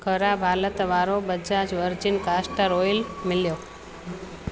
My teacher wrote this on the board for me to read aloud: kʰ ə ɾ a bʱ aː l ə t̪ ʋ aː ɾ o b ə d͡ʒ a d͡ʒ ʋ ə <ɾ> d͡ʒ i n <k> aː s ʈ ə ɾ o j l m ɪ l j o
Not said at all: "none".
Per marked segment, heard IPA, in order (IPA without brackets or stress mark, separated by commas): ɾ, k